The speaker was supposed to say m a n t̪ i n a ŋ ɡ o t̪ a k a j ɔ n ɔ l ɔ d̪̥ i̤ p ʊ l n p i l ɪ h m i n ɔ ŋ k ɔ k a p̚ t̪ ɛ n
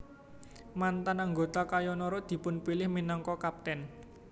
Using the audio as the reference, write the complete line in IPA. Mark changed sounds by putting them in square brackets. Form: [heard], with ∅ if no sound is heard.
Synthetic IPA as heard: m a n t̪ [a] n a ŋ ɡ o t̪ a k a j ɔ n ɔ [ɾ] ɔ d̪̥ i̤ p ʊ [∅] n p i l ɪ h m i n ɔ ŋ k ɔ k a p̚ t̪ ɛ n